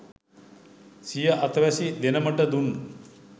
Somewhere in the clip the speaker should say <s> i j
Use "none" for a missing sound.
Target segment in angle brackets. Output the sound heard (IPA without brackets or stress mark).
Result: s